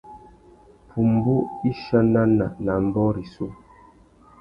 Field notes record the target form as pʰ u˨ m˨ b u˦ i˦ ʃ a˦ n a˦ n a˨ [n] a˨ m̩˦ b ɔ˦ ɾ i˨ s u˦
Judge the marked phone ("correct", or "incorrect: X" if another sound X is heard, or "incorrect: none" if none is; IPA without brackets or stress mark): correct